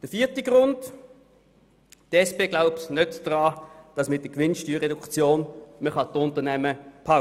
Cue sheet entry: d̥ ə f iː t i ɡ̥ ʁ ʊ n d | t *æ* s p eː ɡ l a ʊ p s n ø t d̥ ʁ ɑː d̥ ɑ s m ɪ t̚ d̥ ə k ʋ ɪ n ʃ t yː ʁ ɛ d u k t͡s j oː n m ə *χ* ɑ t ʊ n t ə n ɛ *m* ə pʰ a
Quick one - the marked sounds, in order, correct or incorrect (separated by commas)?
incorrect, correct, correct